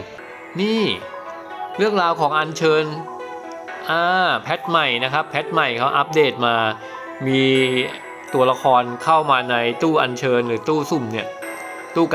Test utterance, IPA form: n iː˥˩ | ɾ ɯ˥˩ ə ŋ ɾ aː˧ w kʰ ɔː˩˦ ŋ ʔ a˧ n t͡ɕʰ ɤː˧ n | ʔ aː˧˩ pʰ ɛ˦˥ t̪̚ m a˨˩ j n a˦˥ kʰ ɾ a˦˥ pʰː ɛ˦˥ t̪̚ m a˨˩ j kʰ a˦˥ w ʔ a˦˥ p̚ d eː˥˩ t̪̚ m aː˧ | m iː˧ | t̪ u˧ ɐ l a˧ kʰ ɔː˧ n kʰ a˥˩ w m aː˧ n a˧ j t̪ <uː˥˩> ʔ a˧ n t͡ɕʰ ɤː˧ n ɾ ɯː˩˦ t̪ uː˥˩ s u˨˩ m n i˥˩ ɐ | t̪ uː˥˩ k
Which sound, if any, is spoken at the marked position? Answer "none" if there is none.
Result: uː˥˩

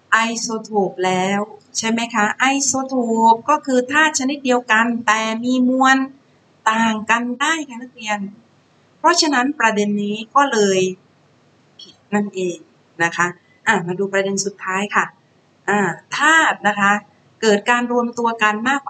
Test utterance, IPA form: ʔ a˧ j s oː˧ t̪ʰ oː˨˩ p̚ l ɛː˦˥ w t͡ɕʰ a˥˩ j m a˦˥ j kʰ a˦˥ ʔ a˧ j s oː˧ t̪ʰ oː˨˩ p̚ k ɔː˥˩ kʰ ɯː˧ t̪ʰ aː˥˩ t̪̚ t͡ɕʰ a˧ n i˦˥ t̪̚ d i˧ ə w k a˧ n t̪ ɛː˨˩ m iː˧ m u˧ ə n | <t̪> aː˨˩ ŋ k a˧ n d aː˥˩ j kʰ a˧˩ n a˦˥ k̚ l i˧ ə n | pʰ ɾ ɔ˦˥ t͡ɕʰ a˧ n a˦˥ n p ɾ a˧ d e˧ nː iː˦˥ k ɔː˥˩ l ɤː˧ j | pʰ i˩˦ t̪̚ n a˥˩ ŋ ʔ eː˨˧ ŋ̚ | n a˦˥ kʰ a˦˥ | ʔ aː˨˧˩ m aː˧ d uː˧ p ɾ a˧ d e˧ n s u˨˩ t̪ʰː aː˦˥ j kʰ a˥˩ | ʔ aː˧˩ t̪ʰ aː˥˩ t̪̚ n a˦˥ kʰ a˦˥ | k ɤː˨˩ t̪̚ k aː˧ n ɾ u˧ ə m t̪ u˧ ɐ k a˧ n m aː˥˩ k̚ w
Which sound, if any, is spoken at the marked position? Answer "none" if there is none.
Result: t̪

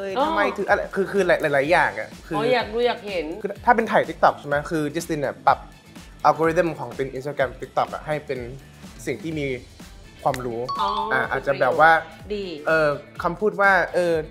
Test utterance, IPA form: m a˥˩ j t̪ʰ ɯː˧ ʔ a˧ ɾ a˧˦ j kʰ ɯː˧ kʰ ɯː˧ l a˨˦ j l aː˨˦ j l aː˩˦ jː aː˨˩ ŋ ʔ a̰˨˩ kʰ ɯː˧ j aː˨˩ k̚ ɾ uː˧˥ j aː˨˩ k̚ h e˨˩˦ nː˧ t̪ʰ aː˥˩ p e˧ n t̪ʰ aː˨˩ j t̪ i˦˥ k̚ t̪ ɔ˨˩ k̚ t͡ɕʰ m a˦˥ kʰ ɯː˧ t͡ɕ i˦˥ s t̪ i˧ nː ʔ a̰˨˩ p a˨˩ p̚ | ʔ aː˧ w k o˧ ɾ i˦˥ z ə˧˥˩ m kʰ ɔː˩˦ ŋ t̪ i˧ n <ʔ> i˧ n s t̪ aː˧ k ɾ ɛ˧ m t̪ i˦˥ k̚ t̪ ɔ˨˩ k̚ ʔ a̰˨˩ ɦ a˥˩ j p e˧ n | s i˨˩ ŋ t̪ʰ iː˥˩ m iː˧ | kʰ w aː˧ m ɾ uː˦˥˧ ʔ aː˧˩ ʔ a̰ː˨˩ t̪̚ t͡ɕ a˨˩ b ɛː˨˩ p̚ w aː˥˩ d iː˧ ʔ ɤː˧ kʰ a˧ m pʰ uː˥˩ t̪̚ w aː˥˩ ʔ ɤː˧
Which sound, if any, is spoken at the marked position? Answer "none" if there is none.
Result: ʔ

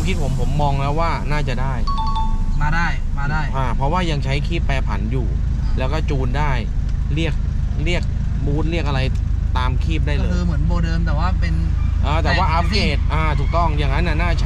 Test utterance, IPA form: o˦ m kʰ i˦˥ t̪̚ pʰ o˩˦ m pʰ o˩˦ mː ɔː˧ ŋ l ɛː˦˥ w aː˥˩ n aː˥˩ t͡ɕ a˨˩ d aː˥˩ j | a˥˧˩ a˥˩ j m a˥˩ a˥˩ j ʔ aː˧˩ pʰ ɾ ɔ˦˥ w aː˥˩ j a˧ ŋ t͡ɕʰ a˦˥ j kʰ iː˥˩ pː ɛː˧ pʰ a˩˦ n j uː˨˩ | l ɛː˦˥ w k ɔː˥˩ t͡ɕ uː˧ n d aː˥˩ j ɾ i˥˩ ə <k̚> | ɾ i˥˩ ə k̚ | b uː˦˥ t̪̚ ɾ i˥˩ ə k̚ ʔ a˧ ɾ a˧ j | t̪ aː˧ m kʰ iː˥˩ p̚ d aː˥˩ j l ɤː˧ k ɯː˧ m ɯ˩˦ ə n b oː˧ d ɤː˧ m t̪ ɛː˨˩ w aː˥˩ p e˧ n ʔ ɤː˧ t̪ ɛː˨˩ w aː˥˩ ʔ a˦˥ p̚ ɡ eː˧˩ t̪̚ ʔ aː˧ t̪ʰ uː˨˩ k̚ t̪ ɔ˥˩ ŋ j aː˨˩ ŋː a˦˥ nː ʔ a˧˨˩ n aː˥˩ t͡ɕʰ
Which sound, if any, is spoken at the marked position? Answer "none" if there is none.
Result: k̚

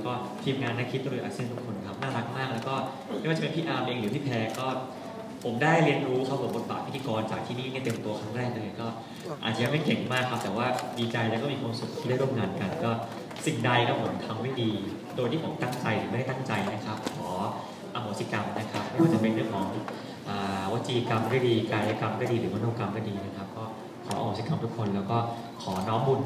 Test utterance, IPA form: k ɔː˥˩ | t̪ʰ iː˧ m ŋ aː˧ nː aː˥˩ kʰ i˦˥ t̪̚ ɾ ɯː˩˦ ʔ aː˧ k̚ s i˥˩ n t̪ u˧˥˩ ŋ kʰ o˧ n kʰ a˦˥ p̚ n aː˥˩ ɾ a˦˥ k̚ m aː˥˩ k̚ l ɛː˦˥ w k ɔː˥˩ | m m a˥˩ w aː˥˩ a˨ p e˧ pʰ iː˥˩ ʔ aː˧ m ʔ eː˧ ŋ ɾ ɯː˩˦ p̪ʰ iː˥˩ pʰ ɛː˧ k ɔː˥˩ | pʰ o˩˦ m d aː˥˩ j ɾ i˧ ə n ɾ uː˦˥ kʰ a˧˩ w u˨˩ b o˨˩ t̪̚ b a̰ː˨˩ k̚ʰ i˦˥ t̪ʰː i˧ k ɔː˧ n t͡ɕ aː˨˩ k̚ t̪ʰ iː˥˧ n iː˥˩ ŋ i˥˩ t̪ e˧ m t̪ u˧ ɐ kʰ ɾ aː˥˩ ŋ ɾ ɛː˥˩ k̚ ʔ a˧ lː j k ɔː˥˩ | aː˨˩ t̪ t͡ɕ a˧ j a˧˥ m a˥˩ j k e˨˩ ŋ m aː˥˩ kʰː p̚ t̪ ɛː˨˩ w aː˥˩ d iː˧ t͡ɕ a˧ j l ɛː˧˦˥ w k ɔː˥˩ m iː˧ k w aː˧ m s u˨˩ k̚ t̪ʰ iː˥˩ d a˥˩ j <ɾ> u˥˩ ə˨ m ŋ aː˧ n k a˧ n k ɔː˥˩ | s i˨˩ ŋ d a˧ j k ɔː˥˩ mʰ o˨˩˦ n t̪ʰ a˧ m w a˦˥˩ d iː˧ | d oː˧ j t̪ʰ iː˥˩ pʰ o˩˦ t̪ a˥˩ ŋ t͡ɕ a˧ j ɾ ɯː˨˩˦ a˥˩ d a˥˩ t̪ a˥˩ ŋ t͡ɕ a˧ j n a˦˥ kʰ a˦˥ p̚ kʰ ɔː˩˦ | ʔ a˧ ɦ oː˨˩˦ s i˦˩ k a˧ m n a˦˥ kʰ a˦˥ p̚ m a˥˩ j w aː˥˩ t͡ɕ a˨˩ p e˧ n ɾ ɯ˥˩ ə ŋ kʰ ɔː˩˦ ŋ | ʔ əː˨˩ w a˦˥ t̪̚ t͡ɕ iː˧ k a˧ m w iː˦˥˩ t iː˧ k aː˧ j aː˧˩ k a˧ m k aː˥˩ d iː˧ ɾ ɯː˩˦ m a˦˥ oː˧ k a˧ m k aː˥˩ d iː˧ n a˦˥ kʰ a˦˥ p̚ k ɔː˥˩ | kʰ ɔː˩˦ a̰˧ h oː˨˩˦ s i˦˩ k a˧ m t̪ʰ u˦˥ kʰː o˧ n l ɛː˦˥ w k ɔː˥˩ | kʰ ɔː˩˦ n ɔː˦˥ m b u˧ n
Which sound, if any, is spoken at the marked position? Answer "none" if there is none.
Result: ɾ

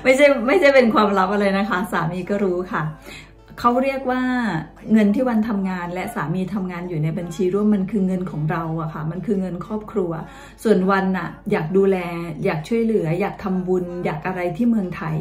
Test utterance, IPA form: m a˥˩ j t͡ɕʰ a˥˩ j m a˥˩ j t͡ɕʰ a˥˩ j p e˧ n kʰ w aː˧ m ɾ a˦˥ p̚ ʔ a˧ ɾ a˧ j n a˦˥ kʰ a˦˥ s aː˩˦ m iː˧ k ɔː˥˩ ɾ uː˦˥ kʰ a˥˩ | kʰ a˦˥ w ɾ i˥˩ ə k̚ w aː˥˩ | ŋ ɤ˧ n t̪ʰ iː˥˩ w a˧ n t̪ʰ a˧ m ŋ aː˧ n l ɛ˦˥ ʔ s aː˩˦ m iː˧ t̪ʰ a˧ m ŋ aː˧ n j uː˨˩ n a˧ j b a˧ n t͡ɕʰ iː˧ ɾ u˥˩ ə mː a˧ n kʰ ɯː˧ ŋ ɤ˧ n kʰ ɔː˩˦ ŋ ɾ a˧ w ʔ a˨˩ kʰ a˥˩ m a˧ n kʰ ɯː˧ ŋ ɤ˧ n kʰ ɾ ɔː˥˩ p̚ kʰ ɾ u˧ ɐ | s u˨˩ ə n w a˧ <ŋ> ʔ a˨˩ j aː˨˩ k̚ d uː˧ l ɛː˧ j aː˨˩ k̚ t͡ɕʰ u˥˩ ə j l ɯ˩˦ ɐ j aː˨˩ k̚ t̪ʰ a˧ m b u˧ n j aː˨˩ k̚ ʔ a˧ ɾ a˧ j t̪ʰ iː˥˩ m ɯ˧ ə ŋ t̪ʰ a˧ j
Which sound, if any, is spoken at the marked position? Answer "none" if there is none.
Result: n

